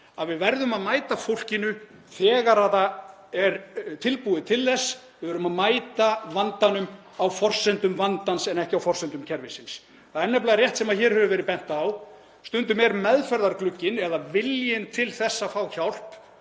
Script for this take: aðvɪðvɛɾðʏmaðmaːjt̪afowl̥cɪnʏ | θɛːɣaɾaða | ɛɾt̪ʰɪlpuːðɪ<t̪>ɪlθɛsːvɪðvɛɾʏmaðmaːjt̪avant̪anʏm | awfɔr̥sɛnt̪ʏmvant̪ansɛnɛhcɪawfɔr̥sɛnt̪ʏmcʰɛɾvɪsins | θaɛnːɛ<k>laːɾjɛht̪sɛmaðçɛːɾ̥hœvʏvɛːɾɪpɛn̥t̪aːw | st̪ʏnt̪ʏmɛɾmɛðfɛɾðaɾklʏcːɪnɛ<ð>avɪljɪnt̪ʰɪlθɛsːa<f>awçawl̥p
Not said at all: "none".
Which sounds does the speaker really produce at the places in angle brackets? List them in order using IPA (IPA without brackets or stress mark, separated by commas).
t̪ʰ, p, ð, f